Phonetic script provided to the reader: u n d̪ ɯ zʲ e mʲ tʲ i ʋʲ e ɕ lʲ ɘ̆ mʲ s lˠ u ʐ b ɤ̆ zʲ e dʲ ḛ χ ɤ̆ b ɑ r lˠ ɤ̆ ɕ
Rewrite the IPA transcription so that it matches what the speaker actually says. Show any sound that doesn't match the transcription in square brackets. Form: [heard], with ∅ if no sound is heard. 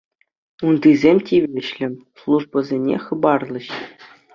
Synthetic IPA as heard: u n d̪ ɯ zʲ e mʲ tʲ i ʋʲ e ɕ lʲ ɘ̆ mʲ s lˠ u ʐ b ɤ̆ zʲ e [nʲ] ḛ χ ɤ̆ b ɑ r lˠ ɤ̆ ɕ